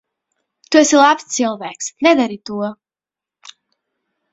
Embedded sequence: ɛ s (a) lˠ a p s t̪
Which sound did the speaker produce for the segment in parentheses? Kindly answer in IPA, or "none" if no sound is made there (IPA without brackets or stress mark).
i